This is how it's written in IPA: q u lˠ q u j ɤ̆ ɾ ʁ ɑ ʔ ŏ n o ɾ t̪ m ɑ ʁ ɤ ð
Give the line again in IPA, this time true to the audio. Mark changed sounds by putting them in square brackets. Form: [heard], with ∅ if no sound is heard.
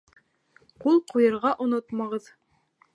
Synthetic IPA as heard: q u lˠ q u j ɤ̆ ɾ ʁ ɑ ʔ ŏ n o [∅] t̪ m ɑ ʁ ɤ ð